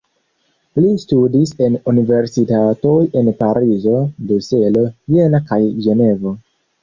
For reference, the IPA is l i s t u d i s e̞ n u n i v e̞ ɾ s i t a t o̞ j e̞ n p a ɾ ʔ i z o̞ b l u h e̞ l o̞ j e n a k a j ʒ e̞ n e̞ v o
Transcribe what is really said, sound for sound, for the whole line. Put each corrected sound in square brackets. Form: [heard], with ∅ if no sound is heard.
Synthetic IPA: l i s t u d i s e̞ n u n i v e̞ ɾ s i t a t o̞ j e̞ n p a ɾ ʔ i z o̞ b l u [s] e̞ l o̞ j e n a k a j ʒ e̞ n e̞ v o